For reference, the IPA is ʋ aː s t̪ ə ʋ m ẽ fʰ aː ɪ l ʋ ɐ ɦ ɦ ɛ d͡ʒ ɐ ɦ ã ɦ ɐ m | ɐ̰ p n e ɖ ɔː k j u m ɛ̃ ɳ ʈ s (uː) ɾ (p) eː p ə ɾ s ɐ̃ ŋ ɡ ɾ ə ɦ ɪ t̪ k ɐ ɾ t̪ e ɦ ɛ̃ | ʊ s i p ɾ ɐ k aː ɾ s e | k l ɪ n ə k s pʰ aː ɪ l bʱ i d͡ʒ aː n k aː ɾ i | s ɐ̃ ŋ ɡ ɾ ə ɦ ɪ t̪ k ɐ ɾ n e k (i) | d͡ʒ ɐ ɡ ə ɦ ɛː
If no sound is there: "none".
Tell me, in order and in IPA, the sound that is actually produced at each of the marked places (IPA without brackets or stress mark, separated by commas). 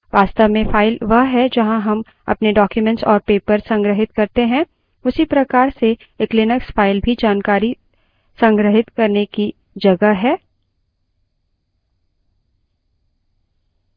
ɔː, p, i